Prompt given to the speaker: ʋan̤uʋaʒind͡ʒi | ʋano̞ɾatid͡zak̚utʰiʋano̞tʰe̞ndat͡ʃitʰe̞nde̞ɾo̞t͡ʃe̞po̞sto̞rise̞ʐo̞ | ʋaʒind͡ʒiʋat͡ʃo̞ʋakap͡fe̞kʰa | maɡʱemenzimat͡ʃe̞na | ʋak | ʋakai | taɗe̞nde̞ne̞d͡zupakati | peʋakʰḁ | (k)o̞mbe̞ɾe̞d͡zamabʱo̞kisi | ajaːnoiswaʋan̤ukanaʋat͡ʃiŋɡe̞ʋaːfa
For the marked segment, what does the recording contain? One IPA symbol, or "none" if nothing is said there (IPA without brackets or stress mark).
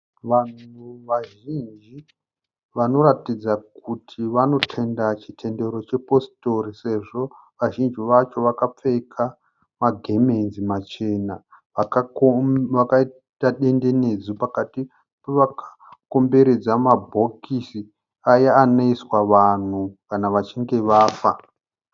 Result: k